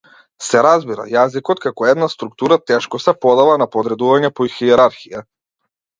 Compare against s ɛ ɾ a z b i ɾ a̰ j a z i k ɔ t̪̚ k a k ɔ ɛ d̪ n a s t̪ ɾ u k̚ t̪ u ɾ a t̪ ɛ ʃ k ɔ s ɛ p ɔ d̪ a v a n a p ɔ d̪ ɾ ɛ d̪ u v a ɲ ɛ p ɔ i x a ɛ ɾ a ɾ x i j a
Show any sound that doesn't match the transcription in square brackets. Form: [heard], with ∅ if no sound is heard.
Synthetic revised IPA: s ɛ ɾ a z b i ɾ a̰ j a z i k ɔ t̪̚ k a k ɔ ɛ d̪ n a s t̪ ɾ u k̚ t̪ u ɾ a t̪ ɛ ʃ k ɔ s ɛ p ɔ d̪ a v a n a p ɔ d̪ ɾ ɛ d̪ u v a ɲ ɛ p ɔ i x [i] ɛ ɾ a ɾ x i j a